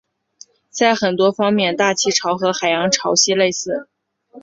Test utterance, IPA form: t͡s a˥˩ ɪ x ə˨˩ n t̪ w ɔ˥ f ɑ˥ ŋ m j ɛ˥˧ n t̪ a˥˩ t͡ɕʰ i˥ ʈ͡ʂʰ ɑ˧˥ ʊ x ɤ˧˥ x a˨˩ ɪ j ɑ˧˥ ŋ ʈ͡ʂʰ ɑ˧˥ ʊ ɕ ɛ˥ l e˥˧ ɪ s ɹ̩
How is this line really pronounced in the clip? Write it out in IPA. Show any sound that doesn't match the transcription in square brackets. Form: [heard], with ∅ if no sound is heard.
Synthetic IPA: t͡s a˥˩ ɪ x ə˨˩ n t̪ w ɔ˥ f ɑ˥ ŋ m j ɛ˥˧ n t̪ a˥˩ t͡ɕʰ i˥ ʈ͡ʂʰ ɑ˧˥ ʊ x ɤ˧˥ x a˨˩ ɪ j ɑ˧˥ ŋ ʈ͡ʂʰ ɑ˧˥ ʊ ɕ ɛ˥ l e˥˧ ɪ s ɹ̩